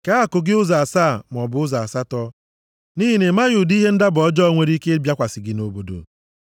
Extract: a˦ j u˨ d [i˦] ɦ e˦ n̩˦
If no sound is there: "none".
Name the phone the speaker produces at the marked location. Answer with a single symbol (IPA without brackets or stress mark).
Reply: i˦